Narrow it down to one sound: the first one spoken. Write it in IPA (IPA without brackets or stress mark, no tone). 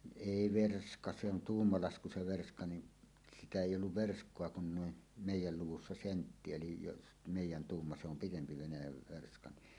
eˑ